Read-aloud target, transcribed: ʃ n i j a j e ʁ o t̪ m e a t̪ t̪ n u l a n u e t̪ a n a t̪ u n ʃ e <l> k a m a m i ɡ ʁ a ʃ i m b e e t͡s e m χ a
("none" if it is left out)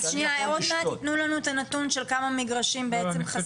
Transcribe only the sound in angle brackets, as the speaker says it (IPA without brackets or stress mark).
l